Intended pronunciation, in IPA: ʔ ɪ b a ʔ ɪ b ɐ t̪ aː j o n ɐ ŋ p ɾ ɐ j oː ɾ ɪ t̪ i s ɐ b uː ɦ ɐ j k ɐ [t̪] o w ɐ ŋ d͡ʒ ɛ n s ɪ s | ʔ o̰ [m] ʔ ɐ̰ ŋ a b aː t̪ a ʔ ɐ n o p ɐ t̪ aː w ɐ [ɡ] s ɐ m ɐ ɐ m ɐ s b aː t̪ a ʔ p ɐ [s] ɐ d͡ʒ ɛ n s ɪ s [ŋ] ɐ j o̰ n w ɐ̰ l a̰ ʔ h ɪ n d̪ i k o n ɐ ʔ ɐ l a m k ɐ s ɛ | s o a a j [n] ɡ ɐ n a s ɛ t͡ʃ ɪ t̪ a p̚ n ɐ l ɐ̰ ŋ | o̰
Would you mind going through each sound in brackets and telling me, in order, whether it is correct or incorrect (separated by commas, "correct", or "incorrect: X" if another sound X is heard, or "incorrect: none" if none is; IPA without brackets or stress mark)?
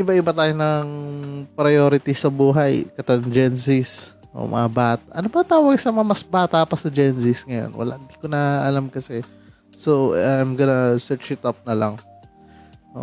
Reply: correct, correct, correct, correct, correct, incorrect: m